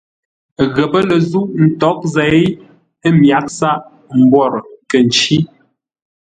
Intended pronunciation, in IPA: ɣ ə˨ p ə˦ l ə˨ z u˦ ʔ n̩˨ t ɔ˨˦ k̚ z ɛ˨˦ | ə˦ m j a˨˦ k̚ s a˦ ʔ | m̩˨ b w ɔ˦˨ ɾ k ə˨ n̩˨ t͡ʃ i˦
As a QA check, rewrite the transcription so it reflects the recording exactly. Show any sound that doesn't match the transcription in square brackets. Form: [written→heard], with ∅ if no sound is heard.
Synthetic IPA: ɣ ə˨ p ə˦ l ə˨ z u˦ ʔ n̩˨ t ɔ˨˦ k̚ z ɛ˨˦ | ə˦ m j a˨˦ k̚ s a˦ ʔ | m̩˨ b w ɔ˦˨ ɾ k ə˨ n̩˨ t͡ʃ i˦